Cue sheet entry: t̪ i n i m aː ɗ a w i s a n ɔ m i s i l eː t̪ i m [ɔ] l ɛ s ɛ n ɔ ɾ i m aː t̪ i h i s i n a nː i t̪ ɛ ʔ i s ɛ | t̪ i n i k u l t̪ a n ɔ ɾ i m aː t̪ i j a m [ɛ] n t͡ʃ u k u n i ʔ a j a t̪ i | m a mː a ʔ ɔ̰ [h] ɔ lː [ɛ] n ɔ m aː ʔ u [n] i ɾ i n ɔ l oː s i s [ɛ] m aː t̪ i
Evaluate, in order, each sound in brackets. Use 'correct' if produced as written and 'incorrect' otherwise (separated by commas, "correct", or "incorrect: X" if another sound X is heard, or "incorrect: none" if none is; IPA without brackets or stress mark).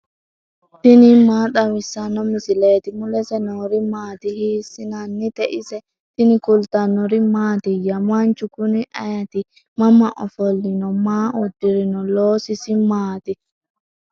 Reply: incorrect: u, incorrect: a, incorrect: f, incorrect: i, incorrect: d, incorrect: i